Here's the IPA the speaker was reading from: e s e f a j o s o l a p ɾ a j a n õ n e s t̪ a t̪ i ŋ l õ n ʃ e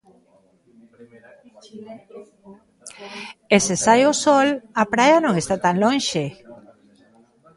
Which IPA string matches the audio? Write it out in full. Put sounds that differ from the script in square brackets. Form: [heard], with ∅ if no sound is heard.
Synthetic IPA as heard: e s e [s] a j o s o l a p ɾ a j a n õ [ŋ] e s t̪ a t̪ [a] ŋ l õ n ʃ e